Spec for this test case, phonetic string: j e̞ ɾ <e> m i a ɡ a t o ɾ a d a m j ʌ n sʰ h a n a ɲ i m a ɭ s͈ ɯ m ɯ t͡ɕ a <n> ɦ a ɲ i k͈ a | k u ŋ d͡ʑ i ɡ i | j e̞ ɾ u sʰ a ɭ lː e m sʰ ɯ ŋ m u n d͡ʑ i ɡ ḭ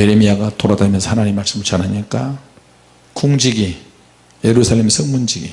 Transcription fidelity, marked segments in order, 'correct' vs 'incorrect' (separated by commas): correct, correct